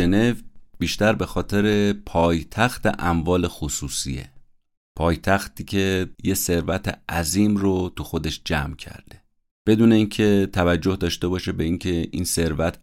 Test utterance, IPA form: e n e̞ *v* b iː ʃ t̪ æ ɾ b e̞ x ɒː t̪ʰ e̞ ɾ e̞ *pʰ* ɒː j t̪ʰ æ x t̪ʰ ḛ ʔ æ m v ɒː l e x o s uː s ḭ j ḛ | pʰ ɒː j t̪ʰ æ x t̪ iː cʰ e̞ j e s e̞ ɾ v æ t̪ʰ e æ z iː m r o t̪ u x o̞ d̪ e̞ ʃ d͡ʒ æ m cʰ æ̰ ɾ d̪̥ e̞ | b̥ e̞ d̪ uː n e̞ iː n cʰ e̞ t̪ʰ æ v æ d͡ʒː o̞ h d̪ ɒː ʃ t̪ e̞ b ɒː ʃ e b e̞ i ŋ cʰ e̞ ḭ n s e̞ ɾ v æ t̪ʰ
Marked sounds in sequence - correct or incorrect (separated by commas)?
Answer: correct, correct